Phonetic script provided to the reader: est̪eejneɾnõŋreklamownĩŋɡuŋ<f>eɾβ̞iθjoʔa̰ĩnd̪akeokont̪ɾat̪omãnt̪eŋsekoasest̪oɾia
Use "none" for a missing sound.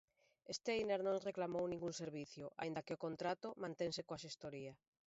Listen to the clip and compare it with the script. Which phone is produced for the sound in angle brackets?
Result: s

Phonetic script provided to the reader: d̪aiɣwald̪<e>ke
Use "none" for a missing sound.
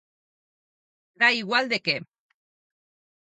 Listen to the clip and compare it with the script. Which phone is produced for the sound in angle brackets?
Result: e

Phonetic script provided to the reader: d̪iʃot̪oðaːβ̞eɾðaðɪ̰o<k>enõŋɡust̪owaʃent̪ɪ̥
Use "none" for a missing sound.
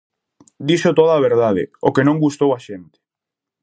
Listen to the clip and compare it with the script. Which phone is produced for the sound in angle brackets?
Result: k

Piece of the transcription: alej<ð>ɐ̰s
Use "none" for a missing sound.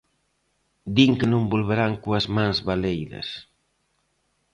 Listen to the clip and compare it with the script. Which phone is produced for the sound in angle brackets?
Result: ð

